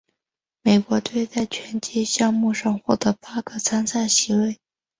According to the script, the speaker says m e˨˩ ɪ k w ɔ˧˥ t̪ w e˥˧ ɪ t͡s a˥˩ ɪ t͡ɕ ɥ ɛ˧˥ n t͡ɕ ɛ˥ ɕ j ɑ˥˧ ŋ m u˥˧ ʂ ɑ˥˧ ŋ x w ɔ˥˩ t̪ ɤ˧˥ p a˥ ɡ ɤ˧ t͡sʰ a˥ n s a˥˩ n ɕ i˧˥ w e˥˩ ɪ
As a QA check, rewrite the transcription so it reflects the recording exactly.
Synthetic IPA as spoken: m e˨˩ ɪ k w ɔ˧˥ t̪ w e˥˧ ɪ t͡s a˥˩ ɪ t͡ɕʰ ɥ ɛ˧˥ n t͡ɕ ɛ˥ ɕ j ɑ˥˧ ŋ m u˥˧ ʂ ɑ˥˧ ŋ x w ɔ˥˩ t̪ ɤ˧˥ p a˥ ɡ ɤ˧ t͡sʰ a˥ n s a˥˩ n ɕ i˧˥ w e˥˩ ɪ